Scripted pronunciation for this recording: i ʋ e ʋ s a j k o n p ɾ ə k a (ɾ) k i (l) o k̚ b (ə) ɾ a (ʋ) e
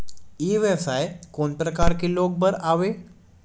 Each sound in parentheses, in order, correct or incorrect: correct, correct, correct, correct

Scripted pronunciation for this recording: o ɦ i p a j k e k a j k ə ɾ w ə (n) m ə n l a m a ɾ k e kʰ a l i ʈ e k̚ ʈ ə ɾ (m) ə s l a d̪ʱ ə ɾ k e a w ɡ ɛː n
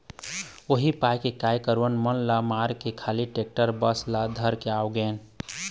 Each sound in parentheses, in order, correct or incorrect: correct, incorrect: b

